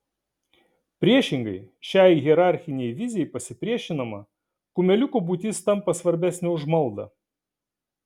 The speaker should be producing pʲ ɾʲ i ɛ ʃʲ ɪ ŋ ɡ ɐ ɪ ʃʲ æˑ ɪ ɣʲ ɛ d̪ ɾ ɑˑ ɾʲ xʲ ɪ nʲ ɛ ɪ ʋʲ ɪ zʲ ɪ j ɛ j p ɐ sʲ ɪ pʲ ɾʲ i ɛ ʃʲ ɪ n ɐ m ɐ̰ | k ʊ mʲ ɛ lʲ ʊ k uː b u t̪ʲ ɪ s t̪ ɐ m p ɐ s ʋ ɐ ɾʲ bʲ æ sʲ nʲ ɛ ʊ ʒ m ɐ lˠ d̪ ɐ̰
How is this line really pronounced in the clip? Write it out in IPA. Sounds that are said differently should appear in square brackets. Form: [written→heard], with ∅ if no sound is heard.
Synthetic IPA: pʲ ɾʲ i ɛ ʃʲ ɪ ŋ ɡ ɐ ɪ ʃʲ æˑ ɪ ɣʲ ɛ [d̪→∅] ɾ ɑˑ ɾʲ xʲ ɪ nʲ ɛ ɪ ʋʲ ɪ zʲ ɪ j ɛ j p ɐ sʲ ɪ pʲ ɾʲ i ɛ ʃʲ ɪ n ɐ m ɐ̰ | k ʊ mʲ ɛ lʲ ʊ k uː b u t̪ʲ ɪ s t̪ ɐ m p ɐ s ʋ ɐ ɾʲ bʲ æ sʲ nʲ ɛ ʊ ʒ m ɐ lˠ d̪ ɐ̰